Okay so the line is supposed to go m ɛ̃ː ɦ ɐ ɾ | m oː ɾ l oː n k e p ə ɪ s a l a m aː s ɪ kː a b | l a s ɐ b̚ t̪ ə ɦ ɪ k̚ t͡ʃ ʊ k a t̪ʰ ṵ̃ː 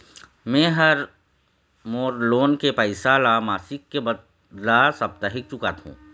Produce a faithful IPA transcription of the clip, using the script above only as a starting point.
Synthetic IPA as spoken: m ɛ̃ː ɦ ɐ ɾ | m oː ɾ l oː n k e p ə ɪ s a l a m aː s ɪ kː e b | l a s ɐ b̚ t̪ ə ɦ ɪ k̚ t͡ʃ ʊ k a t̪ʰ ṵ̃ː